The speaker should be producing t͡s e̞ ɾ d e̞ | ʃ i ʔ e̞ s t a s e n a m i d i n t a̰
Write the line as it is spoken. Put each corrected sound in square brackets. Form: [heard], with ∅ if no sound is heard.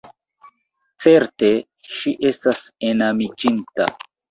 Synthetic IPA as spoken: t͡s e̞ ɾ [t] e̞ | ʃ i ʔ e̞ s t a s e n a m i [d͡ʒ] i n t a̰